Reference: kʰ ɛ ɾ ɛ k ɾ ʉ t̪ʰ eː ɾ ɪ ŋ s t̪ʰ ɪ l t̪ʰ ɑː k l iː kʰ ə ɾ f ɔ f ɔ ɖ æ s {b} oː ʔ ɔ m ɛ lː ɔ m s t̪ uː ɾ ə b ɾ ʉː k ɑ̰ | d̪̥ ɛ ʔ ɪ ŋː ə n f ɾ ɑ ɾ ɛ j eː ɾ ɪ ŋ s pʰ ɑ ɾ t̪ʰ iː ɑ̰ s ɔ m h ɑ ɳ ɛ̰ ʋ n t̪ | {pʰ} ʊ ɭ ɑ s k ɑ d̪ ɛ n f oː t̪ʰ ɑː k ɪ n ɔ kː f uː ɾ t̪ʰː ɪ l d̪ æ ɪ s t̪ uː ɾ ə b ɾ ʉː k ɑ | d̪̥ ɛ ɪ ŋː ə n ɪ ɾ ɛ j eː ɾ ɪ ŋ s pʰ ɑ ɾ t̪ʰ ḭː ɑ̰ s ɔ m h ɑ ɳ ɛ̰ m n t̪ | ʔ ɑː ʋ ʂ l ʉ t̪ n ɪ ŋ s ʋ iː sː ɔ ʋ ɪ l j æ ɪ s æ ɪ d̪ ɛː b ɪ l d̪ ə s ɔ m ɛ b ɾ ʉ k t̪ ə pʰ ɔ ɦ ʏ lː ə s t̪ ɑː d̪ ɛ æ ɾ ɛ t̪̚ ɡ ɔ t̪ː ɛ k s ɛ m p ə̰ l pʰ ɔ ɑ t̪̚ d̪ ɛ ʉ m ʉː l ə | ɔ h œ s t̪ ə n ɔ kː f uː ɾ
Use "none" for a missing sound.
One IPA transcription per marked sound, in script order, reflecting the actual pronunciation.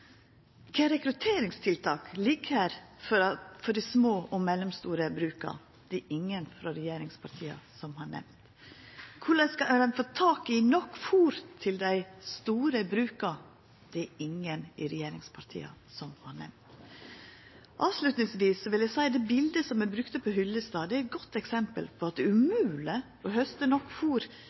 m, kʰ

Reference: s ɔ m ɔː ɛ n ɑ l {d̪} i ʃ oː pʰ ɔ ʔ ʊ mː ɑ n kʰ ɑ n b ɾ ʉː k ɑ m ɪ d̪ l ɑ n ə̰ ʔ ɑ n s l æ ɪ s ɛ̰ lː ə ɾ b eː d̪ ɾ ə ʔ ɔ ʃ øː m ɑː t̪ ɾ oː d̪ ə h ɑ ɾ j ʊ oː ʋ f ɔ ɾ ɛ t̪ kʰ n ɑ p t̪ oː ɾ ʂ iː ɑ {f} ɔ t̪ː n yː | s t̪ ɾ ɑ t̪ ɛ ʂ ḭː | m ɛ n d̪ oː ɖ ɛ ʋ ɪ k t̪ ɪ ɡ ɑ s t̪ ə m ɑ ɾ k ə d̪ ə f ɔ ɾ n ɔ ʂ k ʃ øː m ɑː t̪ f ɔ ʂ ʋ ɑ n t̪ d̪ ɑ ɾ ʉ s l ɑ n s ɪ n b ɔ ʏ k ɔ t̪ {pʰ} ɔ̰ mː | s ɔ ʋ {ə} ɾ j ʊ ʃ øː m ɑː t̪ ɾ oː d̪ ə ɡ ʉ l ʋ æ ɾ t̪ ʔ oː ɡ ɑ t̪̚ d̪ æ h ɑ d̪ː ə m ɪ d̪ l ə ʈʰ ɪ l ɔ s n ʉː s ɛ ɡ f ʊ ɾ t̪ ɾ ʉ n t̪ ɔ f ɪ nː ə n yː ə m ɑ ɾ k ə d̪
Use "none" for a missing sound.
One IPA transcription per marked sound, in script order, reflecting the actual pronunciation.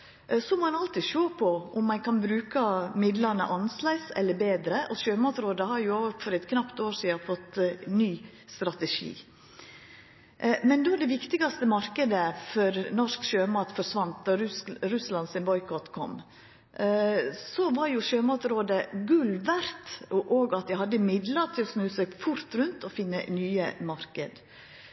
t̪, f, kʰ, ɑ

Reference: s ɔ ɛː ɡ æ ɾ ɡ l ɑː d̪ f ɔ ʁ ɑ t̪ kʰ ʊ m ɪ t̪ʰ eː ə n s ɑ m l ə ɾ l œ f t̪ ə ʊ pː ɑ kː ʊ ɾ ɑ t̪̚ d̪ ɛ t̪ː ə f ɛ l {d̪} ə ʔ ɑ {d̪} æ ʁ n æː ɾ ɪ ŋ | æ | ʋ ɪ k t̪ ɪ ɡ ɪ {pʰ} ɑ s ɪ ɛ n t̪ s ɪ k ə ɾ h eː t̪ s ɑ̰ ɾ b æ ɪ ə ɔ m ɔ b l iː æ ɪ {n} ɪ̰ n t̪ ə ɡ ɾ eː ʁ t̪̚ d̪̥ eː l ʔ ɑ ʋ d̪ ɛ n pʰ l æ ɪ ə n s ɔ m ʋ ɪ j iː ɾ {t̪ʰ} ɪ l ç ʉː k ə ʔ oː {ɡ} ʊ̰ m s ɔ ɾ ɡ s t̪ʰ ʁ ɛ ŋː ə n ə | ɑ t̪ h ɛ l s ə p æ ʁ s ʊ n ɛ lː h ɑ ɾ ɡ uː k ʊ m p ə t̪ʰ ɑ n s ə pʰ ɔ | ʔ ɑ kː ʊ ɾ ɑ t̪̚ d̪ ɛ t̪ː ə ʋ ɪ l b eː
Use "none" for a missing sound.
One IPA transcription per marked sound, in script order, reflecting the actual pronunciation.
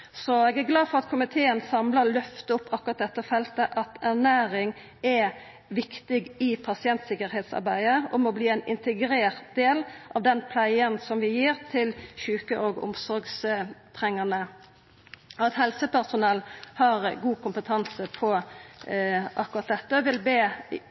t̪, t̪, pʰ, n, t̪ʰ, ɡ

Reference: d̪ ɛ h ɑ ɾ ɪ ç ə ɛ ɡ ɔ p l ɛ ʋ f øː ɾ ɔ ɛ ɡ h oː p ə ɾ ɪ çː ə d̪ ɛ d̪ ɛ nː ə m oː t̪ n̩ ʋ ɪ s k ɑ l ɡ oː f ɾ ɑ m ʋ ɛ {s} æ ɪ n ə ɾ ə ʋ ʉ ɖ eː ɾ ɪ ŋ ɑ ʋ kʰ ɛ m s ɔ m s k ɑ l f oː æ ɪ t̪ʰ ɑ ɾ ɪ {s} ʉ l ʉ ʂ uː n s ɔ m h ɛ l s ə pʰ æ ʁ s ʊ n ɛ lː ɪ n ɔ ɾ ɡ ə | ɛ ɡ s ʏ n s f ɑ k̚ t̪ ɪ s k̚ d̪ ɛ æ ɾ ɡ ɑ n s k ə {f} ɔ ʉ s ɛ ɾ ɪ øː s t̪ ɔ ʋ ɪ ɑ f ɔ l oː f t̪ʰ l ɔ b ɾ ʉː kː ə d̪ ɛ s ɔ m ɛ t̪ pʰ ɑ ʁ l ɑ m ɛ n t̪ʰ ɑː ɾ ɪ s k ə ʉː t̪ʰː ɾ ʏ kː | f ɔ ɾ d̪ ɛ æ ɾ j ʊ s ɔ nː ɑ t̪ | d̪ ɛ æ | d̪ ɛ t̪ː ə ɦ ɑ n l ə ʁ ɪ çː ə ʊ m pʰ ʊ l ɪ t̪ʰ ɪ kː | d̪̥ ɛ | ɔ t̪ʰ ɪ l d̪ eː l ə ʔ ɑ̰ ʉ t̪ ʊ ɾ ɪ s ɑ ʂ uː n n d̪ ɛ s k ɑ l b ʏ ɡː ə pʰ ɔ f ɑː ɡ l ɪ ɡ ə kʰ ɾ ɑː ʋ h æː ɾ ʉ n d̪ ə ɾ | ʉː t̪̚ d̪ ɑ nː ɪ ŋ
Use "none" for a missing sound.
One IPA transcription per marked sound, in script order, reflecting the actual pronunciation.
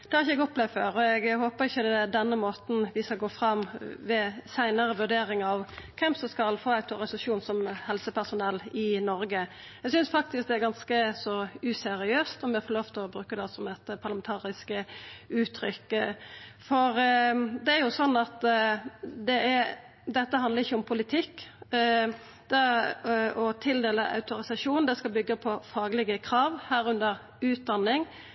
s, s, s

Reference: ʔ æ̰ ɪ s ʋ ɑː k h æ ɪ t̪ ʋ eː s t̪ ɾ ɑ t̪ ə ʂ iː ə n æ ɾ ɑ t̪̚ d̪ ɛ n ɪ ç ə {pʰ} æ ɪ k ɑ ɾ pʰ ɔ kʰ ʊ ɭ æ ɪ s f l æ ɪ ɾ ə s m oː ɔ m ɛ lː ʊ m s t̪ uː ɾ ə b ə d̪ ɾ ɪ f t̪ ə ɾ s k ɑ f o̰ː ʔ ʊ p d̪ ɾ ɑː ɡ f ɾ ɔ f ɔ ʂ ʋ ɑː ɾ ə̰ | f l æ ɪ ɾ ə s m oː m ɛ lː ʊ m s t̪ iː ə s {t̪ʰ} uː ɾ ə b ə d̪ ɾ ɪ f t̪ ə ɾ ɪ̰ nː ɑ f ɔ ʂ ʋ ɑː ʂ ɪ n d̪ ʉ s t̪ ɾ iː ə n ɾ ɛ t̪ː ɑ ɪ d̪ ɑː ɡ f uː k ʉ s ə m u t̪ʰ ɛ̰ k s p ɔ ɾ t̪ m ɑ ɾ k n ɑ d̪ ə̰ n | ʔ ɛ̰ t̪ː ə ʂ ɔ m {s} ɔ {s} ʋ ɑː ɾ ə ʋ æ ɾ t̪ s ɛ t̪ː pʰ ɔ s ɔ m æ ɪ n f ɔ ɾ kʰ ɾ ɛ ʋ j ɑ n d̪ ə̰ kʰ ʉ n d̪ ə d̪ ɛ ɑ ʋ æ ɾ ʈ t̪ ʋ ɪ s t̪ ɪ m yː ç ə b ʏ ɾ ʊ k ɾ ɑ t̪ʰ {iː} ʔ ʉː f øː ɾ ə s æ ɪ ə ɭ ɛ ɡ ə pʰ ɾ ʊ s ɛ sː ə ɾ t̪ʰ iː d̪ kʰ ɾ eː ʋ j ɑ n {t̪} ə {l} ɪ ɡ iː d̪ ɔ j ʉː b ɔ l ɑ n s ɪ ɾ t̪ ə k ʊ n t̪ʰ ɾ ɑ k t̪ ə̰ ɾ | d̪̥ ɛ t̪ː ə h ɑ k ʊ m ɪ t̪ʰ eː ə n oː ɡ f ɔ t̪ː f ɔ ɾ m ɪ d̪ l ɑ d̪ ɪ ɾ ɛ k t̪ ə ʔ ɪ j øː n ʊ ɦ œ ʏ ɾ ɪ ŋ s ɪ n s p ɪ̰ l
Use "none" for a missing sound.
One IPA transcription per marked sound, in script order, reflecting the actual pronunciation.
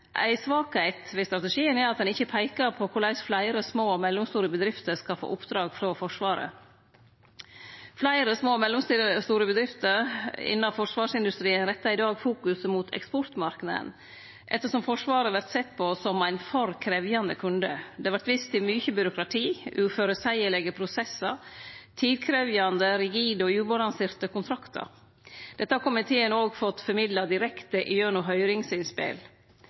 pʰ, t̪, f, ʂ, iː, d̪, ɾ

